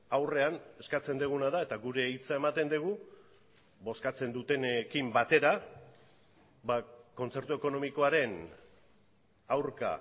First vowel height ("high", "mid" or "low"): low